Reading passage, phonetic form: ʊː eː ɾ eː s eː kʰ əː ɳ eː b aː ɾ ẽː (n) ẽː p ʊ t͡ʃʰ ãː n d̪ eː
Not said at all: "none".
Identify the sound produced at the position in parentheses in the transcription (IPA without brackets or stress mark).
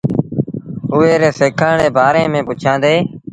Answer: m